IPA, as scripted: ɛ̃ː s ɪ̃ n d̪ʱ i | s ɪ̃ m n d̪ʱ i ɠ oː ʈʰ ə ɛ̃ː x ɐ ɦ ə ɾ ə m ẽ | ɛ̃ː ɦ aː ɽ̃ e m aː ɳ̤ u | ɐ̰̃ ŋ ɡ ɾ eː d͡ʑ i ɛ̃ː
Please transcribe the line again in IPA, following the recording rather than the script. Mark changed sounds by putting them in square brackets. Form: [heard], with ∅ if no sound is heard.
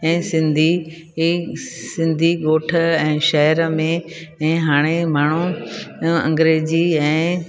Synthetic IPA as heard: ɛ̃ː s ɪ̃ n d̪ʱ i | s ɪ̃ [∅] n d̪ʱ i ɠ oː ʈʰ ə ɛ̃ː [ʃ] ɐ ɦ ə ɾ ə m ẽ | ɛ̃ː ɦ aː ɽ̃ e m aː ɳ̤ u | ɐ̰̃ ŋ ɡ ɾ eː d͡ʑ i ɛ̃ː

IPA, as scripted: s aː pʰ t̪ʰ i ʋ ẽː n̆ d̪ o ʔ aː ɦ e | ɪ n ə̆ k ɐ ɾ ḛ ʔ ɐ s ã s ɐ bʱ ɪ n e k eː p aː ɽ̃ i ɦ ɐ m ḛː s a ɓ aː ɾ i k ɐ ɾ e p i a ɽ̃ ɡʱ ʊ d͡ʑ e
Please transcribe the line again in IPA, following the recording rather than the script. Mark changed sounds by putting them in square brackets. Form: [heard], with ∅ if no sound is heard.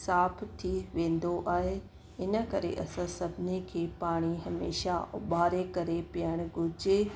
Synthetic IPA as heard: s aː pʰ t̪ʰ i ʋ ẽː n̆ d̪ o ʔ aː ɦ e | ɪ n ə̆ k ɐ ɾ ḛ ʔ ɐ s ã s ɐ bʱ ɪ n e [kʰ] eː p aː ɽ̃ i ɦ ɐ m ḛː [ʃ] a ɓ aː ɾ [e] k ɐ ɾ e p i [ə] ɽ̃ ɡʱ ʊ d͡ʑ e

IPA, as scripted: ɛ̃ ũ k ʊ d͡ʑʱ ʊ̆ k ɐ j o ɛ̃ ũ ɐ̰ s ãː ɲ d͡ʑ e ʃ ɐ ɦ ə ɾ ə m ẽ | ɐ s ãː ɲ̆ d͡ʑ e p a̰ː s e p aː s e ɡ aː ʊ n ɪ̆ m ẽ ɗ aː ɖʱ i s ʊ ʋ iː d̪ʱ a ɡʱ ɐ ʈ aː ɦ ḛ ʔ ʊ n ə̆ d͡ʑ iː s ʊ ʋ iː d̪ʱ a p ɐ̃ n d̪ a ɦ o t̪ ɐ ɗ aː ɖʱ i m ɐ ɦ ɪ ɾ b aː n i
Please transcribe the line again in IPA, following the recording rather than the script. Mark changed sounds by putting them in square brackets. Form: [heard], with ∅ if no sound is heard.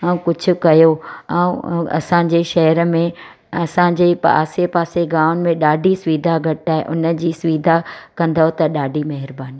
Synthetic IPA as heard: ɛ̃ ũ k ʊ d͡ʑʱ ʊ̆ k ɐ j o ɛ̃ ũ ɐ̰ s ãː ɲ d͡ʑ e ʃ ɐ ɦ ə ɾ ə m ẽ | ɐ s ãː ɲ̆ d͡ʑ e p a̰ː s e p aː s e ɡ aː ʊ n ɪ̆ m ẽ ɗ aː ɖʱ i s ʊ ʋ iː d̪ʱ a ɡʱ ɐ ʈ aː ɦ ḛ ʔ ʊ n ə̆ d͡ʑ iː s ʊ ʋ iː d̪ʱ a [k] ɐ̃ n d̪ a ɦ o t̪ ɐ ɗ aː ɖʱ i m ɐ ɦ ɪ ɾ b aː n i

